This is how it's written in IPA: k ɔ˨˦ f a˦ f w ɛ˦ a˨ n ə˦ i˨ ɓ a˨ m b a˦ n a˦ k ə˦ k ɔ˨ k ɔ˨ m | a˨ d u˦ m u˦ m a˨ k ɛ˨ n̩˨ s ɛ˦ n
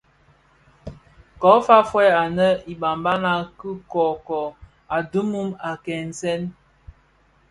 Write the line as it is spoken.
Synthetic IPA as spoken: k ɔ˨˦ f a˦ f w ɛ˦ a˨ n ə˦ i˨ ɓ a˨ m b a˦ n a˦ k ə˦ k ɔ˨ k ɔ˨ | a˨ d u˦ m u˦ m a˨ k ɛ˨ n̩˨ s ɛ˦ n